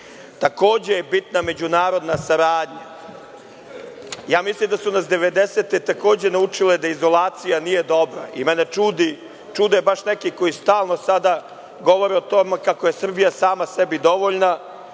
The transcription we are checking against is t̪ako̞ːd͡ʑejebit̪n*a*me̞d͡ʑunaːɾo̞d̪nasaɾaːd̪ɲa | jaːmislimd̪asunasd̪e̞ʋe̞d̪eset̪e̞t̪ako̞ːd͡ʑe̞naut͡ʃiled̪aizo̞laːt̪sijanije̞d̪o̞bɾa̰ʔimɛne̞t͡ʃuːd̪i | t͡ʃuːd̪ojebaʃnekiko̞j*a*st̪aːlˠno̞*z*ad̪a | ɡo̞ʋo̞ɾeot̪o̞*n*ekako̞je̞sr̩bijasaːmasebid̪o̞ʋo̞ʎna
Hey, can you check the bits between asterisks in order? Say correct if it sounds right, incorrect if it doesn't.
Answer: correct, incorrect, incorrect, incorrect

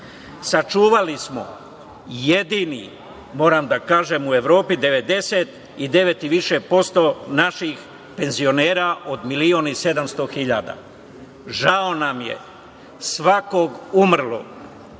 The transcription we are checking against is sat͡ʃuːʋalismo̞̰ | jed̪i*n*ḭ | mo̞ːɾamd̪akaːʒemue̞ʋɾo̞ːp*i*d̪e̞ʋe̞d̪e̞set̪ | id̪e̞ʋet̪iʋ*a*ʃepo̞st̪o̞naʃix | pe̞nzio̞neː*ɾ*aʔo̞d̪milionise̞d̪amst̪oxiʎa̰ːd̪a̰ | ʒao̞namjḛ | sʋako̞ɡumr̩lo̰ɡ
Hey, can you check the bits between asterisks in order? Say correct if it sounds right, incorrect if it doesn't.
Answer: correct, correct, incorrect, correct

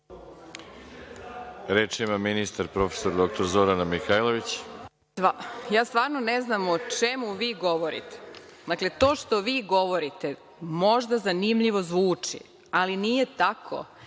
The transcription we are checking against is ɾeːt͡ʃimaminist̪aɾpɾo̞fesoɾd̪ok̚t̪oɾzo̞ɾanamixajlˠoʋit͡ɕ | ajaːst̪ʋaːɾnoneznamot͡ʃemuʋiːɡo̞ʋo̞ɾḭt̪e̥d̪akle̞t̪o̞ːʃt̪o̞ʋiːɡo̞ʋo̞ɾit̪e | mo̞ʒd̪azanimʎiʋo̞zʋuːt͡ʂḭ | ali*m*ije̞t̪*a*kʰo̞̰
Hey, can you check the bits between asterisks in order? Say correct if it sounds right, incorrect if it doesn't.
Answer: incorrect, correct

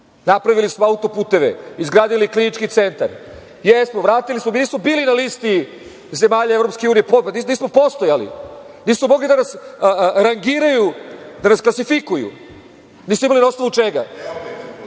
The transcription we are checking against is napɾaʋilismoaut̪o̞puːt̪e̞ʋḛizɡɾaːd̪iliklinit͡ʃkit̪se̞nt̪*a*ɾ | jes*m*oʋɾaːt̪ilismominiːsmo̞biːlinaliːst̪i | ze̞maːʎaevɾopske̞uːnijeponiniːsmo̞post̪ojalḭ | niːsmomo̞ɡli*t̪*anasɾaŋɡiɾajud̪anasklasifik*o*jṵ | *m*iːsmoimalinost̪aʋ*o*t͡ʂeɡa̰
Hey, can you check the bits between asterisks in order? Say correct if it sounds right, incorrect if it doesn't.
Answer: correct, correct, incorrect, incorrect, incorrect, incorrect

